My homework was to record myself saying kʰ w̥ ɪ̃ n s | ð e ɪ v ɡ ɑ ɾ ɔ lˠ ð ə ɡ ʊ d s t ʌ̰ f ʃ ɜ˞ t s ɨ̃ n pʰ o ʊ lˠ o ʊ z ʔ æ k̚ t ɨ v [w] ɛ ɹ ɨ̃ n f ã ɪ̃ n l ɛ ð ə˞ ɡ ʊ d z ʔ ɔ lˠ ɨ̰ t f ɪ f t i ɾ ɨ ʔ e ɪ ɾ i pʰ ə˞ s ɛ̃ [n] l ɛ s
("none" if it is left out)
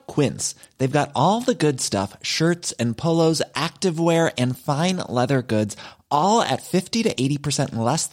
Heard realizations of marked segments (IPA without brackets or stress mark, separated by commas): w, n